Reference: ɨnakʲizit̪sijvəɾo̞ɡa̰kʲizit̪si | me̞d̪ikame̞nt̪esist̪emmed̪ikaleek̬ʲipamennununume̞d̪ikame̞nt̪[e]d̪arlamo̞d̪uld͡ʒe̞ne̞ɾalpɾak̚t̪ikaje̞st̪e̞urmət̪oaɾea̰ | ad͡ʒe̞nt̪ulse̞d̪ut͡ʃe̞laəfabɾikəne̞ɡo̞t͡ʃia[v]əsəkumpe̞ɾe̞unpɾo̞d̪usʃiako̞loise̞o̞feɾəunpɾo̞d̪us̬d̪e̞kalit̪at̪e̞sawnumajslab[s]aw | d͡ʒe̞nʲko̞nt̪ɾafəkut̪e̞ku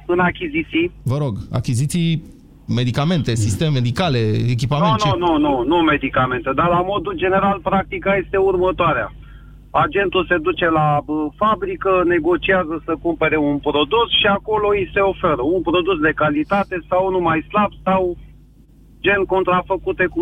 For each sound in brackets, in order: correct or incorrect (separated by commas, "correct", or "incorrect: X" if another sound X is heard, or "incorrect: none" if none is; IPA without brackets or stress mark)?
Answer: correct, incorrect: z, correct